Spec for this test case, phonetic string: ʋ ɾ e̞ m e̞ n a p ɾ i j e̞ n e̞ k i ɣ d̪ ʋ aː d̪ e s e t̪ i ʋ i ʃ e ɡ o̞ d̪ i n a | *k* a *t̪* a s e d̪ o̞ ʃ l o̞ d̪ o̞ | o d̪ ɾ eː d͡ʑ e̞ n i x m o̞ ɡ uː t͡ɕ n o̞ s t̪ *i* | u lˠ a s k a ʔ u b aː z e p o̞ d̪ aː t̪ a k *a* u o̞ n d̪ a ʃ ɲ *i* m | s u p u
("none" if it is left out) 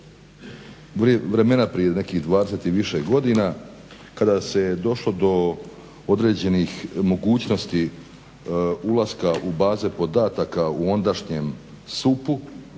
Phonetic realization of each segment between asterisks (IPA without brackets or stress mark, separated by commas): k, d̪, i, a, e